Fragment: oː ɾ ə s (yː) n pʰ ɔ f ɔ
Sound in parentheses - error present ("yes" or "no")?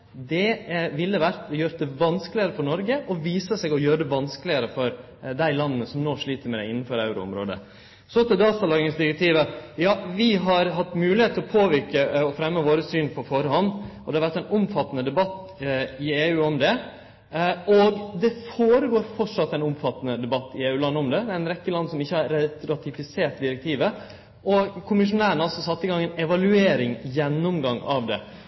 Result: no